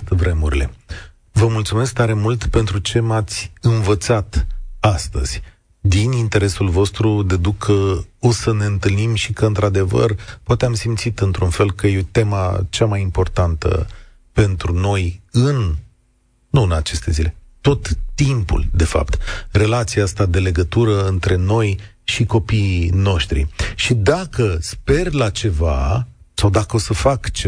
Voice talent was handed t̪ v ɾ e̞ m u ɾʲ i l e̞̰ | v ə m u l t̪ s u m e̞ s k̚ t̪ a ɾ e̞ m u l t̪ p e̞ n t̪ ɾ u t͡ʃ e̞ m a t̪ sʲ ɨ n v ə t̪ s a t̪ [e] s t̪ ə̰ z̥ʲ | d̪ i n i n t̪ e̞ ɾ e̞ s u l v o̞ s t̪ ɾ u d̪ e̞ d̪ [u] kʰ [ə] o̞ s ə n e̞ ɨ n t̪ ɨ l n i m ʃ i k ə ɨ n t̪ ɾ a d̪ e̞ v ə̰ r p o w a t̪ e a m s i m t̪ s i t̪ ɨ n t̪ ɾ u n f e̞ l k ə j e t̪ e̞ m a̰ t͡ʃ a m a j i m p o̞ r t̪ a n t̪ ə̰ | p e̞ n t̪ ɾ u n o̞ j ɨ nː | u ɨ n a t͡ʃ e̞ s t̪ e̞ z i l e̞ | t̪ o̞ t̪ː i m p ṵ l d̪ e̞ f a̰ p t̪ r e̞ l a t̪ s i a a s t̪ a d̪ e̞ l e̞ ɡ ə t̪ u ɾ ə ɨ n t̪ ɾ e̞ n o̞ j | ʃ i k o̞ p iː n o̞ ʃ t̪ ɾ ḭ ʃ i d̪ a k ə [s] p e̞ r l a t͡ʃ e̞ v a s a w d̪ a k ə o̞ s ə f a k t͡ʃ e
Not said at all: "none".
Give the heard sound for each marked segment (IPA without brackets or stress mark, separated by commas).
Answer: a, u, ə, s